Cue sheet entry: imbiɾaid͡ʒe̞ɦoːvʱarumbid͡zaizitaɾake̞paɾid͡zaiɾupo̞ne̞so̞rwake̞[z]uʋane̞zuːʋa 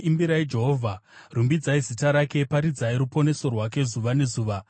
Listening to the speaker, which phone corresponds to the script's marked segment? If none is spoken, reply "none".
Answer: z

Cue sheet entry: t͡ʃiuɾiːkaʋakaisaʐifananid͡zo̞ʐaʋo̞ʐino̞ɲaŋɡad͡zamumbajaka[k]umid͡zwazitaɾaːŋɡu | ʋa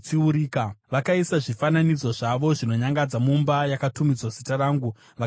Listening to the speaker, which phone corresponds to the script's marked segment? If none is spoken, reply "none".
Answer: t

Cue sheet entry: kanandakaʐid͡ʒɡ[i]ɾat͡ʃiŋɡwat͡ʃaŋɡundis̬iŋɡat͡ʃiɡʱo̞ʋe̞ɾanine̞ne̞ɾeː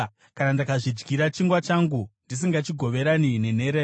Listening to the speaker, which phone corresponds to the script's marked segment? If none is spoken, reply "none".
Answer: i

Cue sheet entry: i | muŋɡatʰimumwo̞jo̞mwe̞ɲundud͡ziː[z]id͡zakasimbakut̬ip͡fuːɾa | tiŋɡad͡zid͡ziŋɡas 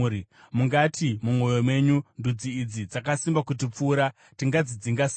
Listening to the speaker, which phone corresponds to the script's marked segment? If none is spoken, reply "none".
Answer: d͡z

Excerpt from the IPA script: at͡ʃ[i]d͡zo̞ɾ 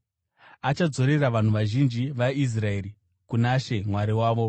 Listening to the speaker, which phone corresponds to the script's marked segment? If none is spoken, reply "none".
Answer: a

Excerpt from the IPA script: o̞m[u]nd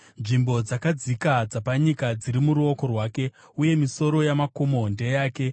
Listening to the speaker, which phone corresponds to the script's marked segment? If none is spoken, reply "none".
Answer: o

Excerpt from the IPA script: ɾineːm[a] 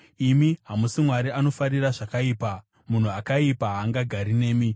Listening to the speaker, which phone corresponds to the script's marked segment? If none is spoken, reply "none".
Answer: i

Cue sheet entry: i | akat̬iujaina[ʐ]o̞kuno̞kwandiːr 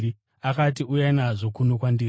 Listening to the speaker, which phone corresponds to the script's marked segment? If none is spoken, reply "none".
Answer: ʐ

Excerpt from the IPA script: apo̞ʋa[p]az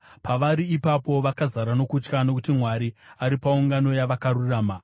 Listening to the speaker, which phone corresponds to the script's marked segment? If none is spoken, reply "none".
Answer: k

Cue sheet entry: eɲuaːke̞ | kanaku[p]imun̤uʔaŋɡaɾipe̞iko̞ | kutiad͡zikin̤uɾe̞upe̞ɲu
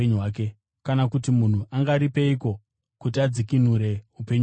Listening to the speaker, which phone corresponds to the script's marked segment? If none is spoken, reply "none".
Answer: t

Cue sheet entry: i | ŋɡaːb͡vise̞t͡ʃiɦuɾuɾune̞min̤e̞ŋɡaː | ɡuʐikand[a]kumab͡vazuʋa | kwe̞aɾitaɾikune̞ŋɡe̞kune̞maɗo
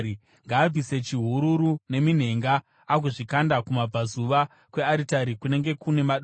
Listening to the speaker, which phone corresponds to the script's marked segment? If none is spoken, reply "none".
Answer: a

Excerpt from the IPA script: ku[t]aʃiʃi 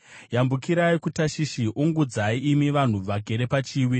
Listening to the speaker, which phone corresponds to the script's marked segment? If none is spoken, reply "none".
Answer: t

